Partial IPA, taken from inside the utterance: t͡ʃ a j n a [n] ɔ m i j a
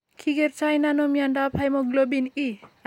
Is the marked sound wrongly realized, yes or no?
no